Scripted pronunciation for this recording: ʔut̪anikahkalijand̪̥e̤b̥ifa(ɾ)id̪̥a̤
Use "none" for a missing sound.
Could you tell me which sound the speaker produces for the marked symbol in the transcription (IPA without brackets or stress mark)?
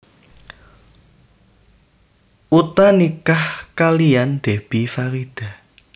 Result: ɾ